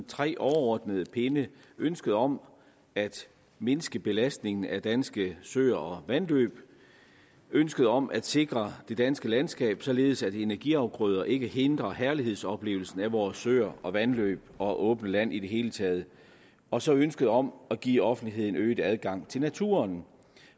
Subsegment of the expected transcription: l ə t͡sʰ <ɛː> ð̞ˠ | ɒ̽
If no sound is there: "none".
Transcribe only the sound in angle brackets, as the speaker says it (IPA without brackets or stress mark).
ɛː